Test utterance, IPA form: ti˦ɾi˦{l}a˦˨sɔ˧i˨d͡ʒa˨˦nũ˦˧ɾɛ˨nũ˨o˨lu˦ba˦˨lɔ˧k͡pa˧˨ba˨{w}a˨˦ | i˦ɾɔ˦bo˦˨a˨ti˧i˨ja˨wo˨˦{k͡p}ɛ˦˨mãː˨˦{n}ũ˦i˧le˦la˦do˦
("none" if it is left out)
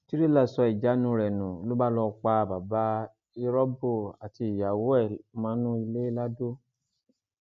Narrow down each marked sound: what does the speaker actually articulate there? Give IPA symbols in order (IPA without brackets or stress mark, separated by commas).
l, b, none, n